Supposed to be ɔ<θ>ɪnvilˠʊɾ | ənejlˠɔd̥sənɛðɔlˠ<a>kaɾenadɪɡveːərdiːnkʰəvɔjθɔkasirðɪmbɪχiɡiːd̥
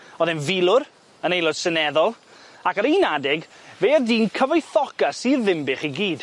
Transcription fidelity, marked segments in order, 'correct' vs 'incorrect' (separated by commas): incorrect, correct